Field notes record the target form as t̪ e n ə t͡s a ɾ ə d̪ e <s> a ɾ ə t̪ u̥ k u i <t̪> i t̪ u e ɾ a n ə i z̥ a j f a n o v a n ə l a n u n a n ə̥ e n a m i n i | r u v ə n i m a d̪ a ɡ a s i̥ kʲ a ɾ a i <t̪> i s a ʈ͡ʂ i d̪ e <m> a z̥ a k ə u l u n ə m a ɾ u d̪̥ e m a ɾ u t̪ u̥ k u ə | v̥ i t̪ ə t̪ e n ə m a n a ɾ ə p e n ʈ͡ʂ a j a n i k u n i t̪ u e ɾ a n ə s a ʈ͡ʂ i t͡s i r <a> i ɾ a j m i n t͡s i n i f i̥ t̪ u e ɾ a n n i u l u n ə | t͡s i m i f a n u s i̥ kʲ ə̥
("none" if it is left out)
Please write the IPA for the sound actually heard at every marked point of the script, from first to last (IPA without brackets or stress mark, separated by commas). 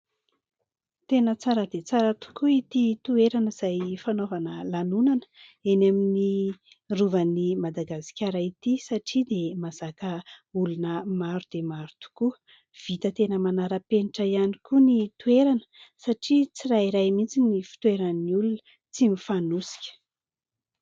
t͡s, t̪, t̪, m, a